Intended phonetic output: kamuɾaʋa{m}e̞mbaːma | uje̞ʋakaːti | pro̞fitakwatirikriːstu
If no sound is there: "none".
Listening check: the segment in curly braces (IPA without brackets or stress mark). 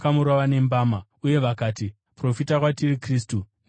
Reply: n